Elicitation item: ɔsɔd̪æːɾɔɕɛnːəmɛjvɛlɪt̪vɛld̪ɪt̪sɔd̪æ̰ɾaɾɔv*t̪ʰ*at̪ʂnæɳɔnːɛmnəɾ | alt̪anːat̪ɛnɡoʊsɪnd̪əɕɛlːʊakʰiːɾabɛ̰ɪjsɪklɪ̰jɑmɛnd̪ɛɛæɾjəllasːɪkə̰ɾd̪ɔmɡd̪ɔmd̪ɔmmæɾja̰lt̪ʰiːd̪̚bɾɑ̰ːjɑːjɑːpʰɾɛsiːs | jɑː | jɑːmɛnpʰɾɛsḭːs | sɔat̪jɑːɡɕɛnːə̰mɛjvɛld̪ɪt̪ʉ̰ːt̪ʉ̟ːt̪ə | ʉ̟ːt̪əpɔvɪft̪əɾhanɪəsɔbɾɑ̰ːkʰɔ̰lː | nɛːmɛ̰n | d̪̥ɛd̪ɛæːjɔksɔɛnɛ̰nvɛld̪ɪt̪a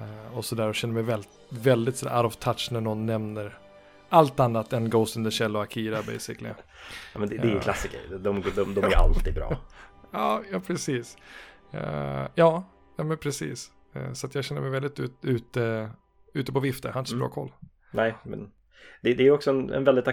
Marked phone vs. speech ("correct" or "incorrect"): correct